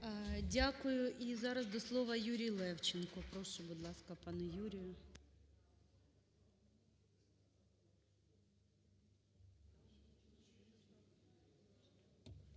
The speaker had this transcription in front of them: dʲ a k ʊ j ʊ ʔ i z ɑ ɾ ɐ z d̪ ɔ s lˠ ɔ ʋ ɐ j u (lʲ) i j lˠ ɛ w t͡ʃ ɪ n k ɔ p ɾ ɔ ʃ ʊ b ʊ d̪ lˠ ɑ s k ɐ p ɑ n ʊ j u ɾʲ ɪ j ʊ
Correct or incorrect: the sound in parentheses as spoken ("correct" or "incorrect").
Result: incorrect